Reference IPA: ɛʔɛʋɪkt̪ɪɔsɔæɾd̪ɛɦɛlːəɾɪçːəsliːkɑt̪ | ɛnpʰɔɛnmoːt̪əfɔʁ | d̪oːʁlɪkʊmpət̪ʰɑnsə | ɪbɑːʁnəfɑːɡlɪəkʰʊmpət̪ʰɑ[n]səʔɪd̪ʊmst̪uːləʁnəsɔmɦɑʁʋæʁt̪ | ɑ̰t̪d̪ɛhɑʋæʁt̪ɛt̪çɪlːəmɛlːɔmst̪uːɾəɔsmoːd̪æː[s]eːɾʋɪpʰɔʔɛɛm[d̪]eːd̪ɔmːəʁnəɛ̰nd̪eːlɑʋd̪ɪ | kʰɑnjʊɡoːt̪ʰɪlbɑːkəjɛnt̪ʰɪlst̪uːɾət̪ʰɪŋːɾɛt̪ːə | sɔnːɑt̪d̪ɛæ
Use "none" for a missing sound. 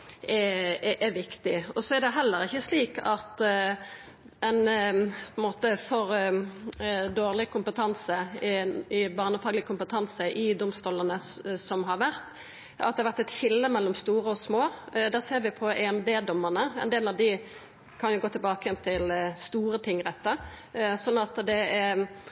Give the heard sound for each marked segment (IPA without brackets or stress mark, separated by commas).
n, s, d̪